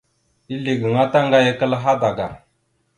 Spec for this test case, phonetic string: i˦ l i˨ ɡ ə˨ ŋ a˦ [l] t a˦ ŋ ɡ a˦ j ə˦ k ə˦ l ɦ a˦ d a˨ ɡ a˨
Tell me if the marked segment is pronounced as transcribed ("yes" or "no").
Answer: no